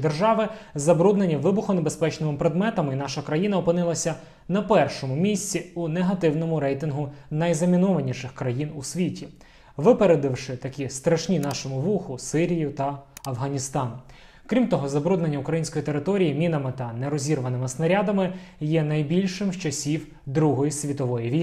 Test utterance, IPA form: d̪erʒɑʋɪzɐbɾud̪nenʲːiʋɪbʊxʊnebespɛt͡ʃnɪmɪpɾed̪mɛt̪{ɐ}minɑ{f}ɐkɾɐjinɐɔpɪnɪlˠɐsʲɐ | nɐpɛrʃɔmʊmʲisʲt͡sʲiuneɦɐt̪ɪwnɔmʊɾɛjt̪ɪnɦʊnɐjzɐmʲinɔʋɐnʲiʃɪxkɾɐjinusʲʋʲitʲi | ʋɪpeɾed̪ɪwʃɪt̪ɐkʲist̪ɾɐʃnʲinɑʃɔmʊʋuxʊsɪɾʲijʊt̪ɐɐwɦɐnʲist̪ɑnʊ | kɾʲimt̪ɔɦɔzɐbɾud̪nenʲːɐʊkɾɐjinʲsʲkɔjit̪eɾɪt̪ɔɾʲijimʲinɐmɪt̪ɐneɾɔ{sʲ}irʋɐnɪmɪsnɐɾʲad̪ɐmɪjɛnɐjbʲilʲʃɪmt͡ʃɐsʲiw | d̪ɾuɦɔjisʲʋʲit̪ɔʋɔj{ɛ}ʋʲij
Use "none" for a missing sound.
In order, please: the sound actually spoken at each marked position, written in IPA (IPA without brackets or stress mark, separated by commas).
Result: ɐ, ʃ, zʲ, i